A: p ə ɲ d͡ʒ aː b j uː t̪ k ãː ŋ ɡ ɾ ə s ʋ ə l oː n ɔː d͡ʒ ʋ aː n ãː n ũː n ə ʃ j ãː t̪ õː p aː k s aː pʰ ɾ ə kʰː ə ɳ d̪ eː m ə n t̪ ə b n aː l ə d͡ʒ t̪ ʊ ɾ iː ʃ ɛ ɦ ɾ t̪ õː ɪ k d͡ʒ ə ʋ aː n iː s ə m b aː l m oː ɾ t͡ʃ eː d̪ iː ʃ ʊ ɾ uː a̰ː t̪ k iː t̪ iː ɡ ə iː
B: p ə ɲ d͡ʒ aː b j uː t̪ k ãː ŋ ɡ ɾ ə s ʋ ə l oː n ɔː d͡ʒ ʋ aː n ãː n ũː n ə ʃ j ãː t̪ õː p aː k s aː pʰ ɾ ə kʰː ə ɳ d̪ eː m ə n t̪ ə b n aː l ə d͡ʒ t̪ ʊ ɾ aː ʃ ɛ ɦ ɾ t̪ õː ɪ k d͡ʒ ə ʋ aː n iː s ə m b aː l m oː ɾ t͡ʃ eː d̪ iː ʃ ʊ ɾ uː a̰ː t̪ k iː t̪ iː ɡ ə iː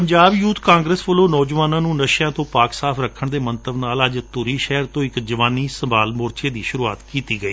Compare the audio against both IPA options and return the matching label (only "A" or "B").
A